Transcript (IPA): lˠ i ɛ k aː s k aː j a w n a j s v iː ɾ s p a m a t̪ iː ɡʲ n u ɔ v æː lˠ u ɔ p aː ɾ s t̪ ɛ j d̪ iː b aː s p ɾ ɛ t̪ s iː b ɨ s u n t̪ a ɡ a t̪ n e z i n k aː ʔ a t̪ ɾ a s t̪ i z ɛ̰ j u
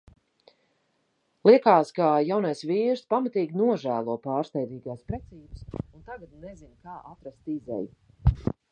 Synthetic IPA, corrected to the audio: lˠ i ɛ k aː s k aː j a w n a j s v iː ɾ s p a m a t̪ iː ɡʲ n u ɔ ʒ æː lˠ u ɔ p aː ɾ s t̪ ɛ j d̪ iː ɡ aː s p ɾ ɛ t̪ s iː b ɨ s u n t̪ a ɡ a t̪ n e z i n k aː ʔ a t̪ ɾ a s t̪ i z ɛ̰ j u